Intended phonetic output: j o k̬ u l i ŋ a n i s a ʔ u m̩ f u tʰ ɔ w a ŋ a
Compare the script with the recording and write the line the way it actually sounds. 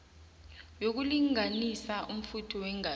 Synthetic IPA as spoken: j o k̬ u l i ŋ a n i s a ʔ u m̩ f u tʰ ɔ w ɛ ŋ a